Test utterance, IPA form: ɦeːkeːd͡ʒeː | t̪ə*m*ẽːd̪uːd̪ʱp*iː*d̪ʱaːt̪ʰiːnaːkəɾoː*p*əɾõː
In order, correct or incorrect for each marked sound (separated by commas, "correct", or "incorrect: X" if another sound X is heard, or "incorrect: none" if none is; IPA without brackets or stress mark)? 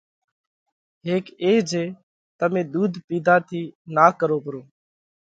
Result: correct, correct, correct